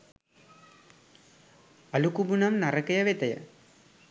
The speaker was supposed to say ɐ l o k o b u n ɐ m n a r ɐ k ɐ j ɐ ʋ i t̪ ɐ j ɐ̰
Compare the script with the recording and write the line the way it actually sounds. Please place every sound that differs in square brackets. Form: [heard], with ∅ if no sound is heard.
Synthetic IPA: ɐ l [u] k [u] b u n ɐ m n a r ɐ k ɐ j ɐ ʋ [e] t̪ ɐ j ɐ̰